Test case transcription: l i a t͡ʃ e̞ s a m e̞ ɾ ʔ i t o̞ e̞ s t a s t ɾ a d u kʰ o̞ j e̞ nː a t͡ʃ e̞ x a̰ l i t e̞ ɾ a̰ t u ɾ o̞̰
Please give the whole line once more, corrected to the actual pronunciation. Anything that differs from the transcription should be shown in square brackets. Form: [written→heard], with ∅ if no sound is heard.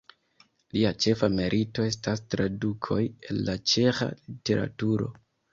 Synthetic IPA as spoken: l i a t͡ʃ e̞ [s→f] a m e̞ ɾ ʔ i t o̞ e̞ s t a s t ɾ a d u kʰ o̞ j e̞ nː a t͡ʃ e̞ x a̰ l i t e̞ ɾ a̰ t u ɾ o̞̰

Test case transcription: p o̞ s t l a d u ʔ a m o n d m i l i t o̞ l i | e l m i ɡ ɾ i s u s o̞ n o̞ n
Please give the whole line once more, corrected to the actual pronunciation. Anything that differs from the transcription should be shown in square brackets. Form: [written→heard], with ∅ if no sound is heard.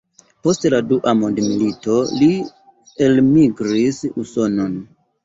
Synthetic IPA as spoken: p o̞ s t l a d u ʔ a m o n d m i l i t o̞ l i | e l m i ɡ ɾ i s u s o̞ n o̞ n

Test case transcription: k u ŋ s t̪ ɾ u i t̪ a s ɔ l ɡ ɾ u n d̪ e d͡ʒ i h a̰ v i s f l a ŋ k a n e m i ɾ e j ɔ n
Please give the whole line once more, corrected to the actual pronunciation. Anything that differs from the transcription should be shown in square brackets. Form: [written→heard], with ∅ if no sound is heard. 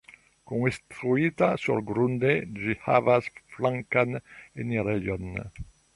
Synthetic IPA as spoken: k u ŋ s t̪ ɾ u i t̪ a s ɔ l ɡ ɾ u n d̪ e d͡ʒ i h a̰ v [i→a] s f l a ŋ k a n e [m→n] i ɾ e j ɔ n

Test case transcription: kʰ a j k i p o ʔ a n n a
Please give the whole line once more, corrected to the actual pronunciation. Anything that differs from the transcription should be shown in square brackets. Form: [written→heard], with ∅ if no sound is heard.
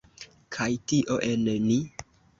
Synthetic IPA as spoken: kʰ a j [k→t] i [p→ʔ] o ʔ [a→e] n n [a→i]

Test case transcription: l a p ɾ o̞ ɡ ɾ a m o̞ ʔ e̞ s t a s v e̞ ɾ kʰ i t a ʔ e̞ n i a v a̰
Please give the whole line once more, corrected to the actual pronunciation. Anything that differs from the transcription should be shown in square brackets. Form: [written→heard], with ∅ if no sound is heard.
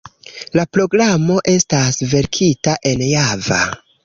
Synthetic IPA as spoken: l a p ɾ o̞ ɡ ɾ a m o̞ ʔ e̞ s t a s v e̞ ɾ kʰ i t a ʔ e̞ n [i→j] a v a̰

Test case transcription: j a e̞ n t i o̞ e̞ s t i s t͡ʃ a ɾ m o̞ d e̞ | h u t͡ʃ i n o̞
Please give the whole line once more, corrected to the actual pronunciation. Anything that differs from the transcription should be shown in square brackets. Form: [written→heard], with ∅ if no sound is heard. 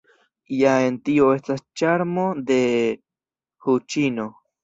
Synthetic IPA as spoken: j a e̞ n t i o̞ e̞ s t [i→a] s t͡ʃ a ɾ m o̞ d e̞ | h u t͡ʃ i n o̞

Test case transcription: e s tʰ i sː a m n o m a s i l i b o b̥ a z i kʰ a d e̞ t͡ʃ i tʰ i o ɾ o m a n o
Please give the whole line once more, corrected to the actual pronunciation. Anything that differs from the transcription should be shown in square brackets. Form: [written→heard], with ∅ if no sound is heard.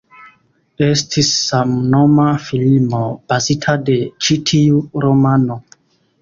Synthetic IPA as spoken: e s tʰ i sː a m n o m a [s→f] i l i [b→m] o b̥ a z i [kʰ→tʰ] a d e̞ t͡ʃ i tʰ i [o→u] ɾ o m a n o

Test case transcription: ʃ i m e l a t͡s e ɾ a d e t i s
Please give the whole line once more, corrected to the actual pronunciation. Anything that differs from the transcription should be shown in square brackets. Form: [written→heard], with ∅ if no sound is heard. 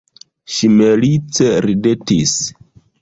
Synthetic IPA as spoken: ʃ i m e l [a→i] t͡s e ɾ [a→i] d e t i s

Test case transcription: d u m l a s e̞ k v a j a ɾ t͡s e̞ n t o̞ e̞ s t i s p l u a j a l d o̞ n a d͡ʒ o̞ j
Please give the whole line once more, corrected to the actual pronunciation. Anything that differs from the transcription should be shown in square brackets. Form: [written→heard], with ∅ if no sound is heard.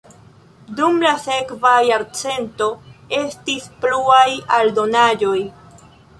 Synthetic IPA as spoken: d u m l a s e̞ k v a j a ɾ t͡s e̞ n t o̞ e̞ s t i s p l u a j a l d o̞ n a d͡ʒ o̞ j

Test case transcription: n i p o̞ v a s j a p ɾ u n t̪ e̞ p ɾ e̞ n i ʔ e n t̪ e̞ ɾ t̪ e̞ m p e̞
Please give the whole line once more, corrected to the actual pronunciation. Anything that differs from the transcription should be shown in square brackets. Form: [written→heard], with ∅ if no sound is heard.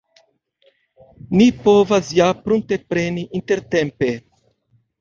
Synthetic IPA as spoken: n i p o̞ v a s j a p ɾ u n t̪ e̞ p ɾ e̞ n i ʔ [e→i] n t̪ e̞ ɾ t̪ e̞ m p e̞

